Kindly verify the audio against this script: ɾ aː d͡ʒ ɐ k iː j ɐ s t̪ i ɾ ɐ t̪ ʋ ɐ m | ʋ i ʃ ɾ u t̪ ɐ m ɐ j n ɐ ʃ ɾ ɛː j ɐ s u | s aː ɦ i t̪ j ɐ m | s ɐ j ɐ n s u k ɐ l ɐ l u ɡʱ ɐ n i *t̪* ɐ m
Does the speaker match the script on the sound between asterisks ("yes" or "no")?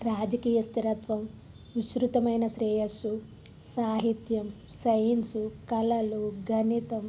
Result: yes